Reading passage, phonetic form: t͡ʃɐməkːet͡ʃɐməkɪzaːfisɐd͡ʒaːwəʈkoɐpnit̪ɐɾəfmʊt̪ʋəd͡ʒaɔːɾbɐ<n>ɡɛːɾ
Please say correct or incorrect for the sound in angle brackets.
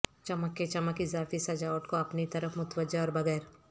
incorrect